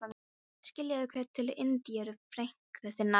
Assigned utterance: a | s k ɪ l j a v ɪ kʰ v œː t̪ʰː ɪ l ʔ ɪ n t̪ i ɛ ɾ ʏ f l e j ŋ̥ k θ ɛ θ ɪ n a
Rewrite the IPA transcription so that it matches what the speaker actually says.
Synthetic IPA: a | s c ɪ l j a ð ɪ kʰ v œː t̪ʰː ɪ l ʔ ɪ n t̪ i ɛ ɾ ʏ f ɾ e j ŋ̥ k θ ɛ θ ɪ n a